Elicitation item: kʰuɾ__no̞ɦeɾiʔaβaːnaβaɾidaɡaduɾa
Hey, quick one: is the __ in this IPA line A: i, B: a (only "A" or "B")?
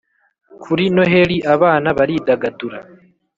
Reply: A